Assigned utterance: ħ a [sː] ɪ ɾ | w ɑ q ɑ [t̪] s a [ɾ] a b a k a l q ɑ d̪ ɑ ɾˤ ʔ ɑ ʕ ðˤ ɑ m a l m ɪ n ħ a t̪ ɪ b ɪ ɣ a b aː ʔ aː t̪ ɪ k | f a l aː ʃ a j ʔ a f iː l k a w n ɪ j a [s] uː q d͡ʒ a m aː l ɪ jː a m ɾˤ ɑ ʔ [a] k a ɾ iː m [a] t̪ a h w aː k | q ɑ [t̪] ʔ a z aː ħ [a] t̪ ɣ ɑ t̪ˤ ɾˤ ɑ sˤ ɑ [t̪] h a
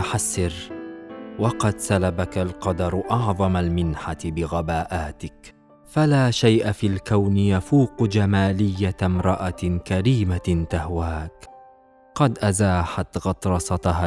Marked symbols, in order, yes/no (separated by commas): yes, no, no, no, yes, yes, no, yes, yes